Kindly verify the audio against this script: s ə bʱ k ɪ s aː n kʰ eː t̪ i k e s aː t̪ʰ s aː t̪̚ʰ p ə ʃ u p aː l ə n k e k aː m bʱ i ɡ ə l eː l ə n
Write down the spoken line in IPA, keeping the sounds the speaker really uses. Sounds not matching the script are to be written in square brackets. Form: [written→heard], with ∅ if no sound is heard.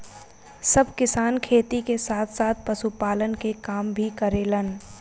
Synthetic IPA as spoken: s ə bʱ k ɪ s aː n kʰ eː t̪ i k e s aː t̪ʰ s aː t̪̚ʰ p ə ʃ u p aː l ə n k e k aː m bʱ i [ɡ→k] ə [l→ɾ] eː l ə n

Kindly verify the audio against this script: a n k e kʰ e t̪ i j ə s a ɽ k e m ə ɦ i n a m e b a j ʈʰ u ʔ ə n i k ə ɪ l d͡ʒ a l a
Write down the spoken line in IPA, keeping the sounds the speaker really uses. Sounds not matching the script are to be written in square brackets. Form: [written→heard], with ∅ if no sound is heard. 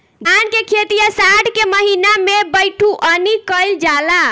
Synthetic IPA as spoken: a n k e kʰ e t̪ i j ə s a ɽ k e m ə ɦ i n a m e b [a→ə] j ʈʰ u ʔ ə n i k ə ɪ l d͡ʒ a l a

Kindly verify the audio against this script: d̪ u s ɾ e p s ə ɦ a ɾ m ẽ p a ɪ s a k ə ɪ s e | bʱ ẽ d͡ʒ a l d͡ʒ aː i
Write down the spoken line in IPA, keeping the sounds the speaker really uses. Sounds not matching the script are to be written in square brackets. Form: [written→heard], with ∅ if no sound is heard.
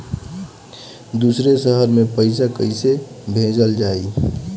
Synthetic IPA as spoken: d̪ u s ɾ e [p→∅] s ə ɦ [a→ə] ɾ m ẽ p [a→ə] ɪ s a k ə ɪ s e | bʱ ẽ d͡ʒ [a→ə] l d͡ʒ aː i

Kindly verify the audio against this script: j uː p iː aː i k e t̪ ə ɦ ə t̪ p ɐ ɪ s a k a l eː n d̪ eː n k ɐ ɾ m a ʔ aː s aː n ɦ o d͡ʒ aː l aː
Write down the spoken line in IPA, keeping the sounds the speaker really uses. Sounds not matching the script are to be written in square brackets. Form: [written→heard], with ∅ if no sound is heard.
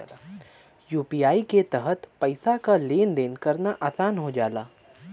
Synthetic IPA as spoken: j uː p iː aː i k e t̪ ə ɦ ə t̪ p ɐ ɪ s a k a l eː n d̪ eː n k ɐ ɾ [m→n] a ʔ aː s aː n ɦ o d͡ʒ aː l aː

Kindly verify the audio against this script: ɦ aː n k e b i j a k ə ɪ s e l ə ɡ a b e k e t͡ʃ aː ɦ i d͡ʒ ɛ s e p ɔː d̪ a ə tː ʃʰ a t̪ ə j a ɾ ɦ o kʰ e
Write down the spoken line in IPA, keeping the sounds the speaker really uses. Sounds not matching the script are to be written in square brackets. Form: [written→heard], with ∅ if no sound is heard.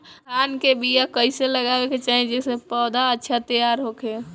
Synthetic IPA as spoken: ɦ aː n k e b i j a k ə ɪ s e l ə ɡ a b e k e t͡ʃ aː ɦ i d͡ʒ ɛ s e p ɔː d̪ a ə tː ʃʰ a t̪ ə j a ɾ ɦ o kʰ e

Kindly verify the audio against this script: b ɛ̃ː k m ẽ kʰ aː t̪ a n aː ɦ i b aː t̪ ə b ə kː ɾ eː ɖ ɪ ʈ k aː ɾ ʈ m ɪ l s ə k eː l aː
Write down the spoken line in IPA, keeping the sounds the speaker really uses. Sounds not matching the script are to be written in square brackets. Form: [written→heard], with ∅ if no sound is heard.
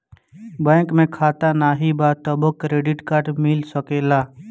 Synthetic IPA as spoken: b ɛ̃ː k m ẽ kʰ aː t̪ a n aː ɦ i b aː t̪ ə b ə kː ɾ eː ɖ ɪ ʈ k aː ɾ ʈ m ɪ l s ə k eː l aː

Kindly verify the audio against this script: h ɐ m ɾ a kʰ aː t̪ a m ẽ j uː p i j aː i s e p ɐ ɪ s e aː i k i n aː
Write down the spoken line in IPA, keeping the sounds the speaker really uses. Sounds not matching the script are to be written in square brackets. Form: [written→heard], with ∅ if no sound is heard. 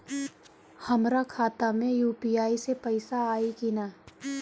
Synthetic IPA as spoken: h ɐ m ɾ a kʰ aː t̪ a m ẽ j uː p i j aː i s e p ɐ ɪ s [e→a] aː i k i n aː

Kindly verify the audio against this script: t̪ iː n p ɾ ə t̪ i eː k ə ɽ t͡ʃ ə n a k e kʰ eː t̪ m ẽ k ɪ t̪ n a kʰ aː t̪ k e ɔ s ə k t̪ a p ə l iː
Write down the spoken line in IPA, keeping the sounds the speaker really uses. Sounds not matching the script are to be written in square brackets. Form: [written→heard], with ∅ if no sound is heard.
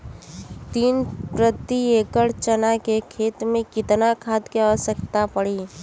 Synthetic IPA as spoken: t̪ iː n p ɾ ə t̪ i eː k ə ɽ t͡ʃ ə n a k e kʰ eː t̪ m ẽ k ɪ t̪ n a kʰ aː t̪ k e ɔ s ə k t̪ a p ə [l→ɽ] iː

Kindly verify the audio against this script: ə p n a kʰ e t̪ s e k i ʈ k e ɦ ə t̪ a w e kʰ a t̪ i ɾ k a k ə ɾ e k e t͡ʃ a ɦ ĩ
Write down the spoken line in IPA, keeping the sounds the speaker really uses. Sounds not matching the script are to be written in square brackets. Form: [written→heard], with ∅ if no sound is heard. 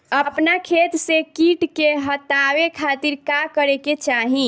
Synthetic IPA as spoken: ə p n a kʰ e t̪ s e k i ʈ k e ɦ ə t̪ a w e kʰ a t̪ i ɾ k a k ə ɾ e k e t͡ʃ a ɦ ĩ

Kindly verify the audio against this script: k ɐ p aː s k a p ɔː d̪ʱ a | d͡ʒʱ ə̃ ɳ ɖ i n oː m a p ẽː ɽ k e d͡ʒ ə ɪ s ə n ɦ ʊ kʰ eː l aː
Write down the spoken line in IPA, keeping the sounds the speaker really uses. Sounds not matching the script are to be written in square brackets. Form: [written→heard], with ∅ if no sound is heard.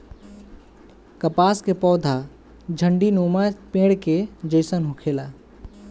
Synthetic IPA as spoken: k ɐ p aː s k [a→e] p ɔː d̪ʱ a | d͡ʒʱ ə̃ ɳ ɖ i n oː m a p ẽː ɽ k e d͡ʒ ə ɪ s ə n ɦ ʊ kʰ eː l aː

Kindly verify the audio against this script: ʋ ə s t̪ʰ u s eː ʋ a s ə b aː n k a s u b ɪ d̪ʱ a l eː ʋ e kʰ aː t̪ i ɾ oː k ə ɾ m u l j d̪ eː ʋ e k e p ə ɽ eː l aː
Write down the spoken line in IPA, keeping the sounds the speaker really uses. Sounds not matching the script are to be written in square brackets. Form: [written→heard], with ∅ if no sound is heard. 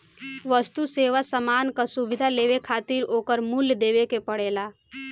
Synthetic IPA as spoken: ʋ ə s [t̪ʰ→t̪] u s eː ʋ a s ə [b→m] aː n k a s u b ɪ d̪ʱ a l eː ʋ e kʰ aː t̪ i ɾ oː k ə ɾ m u l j d̪ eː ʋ e k e p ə ɽ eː l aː

